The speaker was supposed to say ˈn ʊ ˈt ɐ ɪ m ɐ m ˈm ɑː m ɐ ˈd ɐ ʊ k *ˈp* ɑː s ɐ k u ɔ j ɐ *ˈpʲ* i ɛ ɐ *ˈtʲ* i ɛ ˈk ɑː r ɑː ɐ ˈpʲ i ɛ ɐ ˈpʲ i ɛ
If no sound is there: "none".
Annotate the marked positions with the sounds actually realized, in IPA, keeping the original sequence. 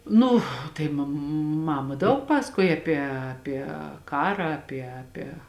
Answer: p, pʲ, pʲ

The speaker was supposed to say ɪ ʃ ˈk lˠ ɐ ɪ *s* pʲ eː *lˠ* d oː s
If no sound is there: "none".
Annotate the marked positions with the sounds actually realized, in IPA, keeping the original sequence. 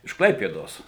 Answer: none, none

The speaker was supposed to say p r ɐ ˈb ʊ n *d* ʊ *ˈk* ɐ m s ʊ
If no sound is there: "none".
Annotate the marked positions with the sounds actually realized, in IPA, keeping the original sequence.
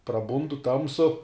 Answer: d, t

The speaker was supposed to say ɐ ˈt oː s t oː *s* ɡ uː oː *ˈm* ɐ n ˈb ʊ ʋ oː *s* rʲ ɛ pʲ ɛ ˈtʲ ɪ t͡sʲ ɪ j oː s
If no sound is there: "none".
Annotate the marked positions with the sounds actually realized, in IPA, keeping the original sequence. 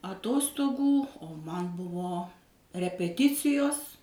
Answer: none, m, none

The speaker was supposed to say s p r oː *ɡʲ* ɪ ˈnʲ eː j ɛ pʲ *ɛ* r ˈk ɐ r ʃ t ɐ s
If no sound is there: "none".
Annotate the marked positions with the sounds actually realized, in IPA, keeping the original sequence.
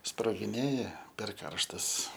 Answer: ɡʲ, ɛ

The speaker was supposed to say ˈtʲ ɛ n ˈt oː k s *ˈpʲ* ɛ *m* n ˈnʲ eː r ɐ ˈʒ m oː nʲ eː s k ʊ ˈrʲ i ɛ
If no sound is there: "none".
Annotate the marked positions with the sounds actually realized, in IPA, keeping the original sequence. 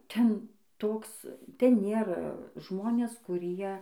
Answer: tʲ, none

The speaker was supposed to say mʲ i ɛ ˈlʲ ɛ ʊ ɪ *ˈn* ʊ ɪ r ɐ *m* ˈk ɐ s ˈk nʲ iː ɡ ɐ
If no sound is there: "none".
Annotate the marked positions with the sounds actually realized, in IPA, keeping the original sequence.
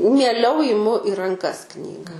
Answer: m, ŋ

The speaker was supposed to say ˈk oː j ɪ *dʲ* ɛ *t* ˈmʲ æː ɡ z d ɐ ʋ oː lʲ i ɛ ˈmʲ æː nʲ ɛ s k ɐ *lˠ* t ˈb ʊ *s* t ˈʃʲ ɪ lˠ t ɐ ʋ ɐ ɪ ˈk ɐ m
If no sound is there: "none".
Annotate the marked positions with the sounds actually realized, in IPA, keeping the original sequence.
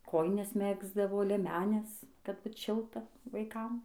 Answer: nʲ, s, none, none

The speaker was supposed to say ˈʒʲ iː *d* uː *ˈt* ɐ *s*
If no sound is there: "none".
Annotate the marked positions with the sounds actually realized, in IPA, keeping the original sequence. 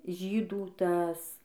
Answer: d, t, s

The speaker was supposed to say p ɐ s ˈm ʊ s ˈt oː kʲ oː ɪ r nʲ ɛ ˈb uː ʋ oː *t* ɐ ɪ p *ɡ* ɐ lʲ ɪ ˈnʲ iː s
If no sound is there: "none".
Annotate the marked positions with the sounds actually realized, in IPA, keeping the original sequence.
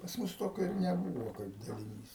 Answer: k, d

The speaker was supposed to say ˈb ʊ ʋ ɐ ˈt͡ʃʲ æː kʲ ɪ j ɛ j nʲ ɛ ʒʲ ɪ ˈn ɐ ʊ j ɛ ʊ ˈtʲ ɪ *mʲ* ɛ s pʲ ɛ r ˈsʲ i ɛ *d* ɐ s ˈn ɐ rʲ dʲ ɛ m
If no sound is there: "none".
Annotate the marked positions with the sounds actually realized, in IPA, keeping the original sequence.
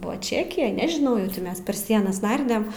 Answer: mʲ, n

